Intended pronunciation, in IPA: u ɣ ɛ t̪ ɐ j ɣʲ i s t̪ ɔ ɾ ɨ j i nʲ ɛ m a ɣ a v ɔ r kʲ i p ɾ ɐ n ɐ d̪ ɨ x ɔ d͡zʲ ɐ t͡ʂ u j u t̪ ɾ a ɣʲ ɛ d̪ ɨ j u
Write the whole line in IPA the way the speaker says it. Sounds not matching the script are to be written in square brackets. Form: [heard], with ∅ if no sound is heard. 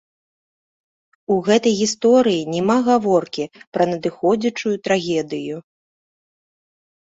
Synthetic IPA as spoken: u ɣ ɛ t̪ ɐ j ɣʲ i s t̪ ɔ ɾ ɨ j i nʲ ɛ m a ɣ a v ɔ r kʲ i p ɾ ɐ n ɐ d̪ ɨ x ɔ d͡zʲ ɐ t͡ʂ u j u t̪ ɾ a ɣʲ ɛ d̪ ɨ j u

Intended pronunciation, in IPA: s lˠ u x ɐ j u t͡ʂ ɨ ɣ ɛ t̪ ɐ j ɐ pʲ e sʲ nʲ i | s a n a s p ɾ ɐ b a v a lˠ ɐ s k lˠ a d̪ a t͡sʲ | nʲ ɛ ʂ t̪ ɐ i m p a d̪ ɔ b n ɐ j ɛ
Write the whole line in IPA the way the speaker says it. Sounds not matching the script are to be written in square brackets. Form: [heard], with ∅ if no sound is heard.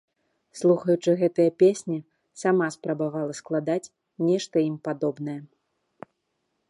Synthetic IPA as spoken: s lˠ u x ɐ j u t͡ʂ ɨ ɣ ɛ t̪ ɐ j ɐ pʲ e sʲ nʲ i | s a [m] a s p ɾ ɐ b a v a lˠ ɐ s k lˠ a d̪ a t͡sʲ | nʲ ɛ ʂ t̪ ɐ i m p a d̪ ɔ b n ɐ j ɛ

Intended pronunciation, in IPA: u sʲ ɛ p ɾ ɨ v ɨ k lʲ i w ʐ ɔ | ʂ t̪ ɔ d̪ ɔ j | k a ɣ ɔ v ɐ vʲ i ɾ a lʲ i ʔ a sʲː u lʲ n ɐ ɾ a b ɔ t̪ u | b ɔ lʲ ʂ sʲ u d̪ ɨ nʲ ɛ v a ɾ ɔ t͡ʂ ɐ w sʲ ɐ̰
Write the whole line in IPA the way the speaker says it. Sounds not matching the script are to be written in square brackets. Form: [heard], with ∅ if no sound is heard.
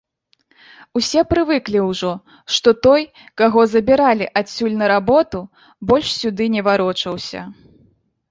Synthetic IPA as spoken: u sʲ ɛ p ɾ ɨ v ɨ k lʲ i w ʐ ɔ | ʂ t̪ ɔ [t̪] ɔ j | k a ɣ ɔ [z] ɐ [bʲ] i ɾ a lʲ i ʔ a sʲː u lʲ n ɐ ɾ a b ɔ t̪ u | b ɔ lʲ ʂ sʲ u d̪ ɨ nʲ ɛ v a ɾ ɔ t͡ʂ ɐ w sʲ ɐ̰

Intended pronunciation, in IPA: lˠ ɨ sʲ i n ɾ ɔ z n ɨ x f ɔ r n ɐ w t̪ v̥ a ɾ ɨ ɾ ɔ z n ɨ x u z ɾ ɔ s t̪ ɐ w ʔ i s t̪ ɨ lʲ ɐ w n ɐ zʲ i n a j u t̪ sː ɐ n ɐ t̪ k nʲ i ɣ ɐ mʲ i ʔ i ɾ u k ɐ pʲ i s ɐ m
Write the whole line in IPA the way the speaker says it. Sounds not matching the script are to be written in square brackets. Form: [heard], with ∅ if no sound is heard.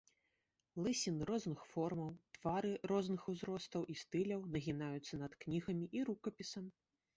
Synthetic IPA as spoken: lˠ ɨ sʲ i n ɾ ɔ z n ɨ x f ɔ r [m] ɐ w t̪ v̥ a ɾ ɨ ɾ ɔ z n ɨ x u z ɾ ɔ s t̪ ɐ w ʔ i s t̪ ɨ lʲ ɐ w n ɐ [ɣʲ] i n a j u t̪ sː ɐ n ɐ t̪ k nʲ i ɣ ɐ mʲ i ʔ i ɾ u k ɐ pʲ i s ɐ m

